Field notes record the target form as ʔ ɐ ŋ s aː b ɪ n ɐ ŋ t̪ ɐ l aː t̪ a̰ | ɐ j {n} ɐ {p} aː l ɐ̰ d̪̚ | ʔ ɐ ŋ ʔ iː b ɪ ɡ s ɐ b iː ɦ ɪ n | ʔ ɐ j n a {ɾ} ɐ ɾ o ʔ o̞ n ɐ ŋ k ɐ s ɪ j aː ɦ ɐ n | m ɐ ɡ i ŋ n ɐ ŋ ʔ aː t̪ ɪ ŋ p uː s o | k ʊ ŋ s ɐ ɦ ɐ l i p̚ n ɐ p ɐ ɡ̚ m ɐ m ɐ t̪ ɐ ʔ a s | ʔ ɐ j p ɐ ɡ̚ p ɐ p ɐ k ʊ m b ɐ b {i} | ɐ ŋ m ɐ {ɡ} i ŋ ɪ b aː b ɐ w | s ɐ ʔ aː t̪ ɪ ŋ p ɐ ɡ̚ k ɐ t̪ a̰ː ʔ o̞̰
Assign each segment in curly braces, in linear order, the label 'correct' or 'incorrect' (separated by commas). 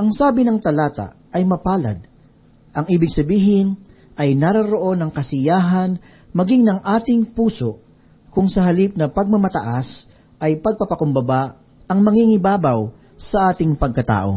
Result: incorrect, correct, correct, incorrect, incorrect